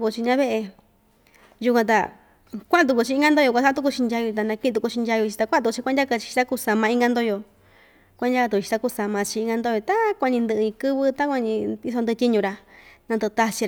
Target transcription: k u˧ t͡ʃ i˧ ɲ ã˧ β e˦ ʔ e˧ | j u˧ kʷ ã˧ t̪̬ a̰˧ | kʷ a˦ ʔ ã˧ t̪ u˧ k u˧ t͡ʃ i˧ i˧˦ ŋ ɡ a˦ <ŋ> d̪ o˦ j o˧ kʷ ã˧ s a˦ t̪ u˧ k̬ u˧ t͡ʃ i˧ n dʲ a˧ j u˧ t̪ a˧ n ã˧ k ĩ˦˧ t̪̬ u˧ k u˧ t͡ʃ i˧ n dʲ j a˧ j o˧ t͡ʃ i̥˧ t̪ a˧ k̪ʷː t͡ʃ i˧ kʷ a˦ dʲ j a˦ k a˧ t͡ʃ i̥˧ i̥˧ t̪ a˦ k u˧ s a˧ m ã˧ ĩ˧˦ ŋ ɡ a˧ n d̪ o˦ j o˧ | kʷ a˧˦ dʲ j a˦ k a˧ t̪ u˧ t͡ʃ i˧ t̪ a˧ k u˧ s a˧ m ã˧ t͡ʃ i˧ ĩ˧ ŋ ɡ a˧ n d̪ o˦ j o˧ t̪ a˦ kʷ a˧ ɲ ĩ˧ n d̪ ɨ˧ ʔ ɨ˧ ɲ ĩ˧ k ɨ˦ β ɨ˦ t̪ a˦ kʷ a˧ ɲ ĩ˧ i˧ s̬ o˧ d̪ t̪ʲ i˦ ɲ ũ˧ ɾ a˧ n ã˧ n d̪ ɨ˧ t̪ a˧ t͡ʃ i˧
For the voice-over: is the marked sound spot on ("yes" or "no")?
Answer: no